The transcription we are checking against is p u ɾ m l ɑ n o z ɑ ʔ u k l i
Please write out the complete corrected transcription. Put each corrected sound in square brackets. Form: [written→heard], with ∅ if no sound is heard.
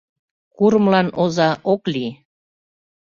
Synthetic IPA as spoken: [p→k] u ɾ m l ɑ n o z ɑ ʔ [u→o] k l i

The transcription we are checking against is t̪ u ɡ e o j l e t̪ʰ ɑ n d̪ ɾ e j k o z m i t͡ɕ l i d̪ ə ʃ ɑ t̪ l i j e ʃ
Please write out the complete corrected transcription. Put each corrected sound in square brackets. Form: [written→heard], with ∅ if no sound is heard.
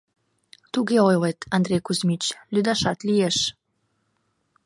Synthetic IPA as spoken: t̪ u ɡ e o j l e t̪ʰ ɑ n d̪ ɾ e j k [o→u] z m i t͡ɕ l [i→y] d̪ [ə→ɑ] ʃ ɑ t̪ l i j e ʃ

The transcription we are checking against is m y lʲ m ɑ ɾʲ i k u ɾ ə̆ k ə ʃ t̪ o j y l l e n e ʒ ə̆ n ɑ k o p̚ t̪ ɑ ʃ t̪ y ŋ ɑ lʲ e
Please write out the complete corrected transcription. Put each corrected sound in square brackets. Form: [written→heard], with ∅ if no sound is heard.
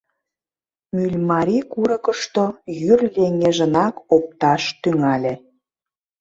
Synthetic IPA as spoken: m y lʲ m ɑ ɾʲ i k u ɾ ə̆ k ə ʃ t̪ o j y [l→r] l e [n→ŋ] e ʒ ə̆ n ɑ k o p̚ t̪ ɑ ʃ t̪ y ŋ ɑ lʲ e

